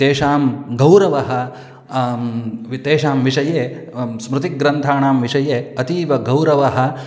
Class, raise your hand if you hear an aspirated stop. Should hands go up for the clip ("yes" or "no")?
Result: yes